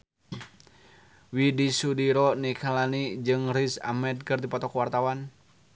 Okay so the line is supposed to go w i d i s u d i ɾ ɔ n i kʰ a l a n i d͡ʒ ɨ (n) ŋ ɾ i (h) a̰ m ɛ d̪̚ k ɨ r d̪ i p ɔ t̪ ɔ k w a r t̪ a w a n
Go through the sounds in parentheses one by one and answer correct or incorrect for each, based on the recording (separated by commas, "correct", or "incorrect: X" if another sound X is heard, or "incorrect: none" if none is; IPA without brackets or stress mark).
incorrect: none, incorrect: s